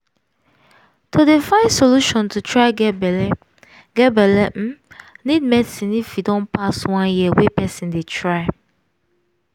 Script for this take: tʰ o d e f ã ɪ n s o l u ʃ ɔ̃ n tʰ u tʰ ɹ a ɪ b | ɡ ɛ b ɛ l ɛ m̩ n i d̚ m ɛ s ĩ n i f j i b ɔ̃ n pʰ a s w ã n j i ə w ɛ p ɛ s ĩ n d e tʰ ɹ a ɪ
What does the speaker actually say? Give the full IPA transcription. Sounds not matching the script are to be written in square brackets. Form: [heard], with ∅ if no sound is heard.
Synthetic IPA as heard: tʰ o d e f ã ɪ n s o l u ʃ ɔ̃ n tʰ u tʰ ɹ a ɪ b | ɡ ɛ b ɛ l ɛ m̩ n i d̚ m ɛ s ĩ n i f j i [d] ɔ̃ n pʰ a s w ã n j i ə w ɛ p ɛ s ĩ n d e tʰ ɹ a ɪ